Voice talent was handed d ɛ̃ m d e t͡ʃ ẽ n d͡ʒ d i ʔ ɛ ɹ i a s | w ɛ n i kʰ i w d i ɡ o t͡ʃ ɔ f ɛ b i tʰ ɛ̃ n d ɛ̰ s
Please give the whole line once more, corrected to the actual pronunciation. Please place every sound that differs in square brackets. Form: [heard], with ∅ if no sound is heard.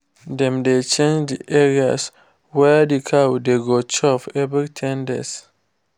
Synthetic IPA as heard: d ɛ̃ m d e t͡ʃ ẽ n d͡ʒ d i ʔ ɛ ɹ i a s | w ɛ [d] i kʰ [a] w d [e] ɡ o t͡ʃ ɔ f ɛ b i tʰ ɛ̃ n d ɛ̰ s